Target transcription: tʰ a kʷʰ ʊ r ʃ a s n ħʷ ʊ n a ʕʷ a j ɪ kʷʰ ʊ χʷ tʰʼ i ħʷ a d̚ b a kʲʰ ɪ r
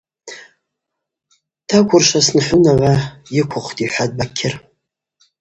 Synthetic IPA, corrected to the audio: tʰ a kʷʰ ʊ r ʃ a s n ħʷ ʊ n a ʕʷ a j ɪ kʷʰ ʊ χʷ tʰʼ i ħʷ a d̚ b a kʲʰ ɪ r